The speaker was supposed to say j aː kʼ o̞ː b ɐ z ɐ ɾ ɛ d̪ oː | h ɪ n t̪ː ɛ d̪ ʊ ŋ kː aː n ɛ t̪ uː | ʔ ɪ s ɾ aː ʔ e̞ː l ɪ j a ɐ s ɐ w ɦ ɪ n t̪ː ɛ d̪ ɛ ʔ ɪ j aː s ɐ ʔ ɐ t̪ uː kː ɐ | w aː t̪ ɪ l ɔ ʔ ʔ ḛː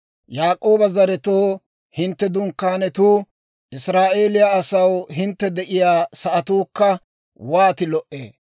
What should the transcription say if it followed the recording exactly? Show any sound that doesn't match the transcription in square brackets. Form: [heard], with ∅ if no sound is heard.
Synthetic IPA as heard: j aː kʼ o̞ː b ɐ z ɐ ɾ ɛ [t̪] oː | h ɪ n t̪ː ɛ d̪ ʊ ŋ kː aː n ɛ t̪ uː | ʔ ɪ s ɾ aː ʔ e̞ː l ɪ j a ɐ s ɐ w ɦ ɪ n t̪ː ɛ d̪ ɛ ʔ ɪ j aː s ɐ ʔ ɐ t̪ uː kː ɐ | w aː t̪ ɪ l ɔ ʔ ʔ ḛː